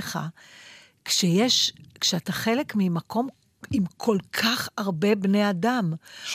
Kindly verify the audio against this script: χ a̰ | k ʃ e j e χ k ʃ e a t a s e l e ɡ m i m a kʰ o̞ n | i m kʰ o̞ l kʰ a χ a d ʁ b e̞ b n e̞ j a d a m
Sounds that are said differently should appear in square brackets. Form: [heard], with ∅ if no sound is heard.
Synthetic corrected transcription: χ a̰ | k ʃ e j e [ʃ] k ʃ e a t a [χ] e l e [k] m i m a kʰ o̞ [m] | i m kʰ o̞ l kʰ a χ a [∅] ʁ b e̞ b n e̞ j a d a m